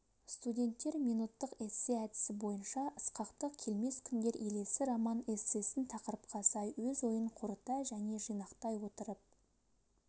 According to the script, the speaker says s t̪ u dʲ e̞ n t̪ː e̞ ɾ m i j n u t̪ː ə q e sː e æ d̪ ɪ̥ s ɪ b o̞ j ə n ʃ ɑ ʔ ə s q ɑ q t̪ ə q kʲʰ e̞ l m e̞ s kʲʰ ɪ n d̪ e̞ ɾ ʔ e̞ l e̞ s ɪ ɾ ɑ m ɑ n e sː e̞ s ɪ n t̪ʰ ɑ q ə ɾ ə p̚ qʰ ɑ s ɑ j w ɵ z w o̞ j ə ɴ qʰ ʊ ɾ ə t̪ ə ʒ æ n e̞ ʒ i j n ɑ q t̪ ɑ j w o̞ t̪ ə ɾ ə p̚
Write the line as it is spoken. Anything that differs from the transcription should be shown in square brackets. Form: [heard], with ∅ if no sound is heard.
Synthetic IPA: s t̪ u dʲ e̞ n t̪ː e̞ ɾ m i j n u t̪ː ə q e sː e æ d̪ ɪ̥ s ɪ b o̞ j ə n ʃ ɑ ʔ ə s q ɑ q t̪ ə q kʲʰ e̞ l m e̞ s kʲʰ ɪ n d̪ e̞ ɾ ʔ e̞ l e̞ s ɪ ɾ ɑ m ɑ n e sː e̞ s ɪ n t̪ʰ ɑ q ə ɾ ə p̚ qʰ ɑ s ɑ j w ɵ z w o̞ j ə ɴ qʰ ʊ ɾ ə t̪ [ɑ] ʒ æ n e̞ ʒ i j n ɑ q t̪ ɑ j w o̞ t̪ ə ɾ ə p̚